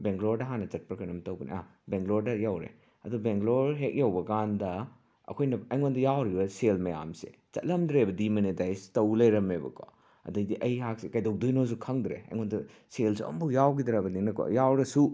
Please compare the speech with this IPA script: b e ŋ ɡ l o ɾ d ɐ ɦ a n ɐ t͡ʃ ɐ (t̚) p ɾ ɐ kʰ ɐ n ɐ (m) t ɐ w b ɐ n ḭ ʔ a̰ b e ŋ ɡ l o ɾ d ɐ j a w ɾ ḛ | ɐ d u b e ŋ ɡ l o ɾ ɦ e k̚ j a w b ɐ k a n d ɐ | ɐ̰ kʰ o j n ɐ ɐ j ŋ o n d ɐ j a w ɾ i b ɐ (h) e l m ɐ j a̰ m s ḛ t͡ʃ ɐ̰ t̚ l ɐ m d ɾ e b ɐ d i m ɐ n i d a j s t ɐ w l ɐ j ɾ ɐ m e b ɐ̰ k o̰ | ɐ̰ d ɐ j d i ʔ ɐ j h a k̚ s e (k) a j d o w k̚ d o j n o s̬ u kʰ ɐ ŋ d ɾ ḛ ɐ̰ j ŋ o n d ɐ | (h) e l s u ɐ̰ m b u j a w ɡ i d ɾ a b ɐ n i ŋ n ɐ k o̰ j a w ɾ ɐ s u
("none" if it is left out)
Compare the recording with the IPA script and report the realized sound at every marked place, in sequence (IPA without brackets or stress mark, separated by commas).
t̚, m, s, k, s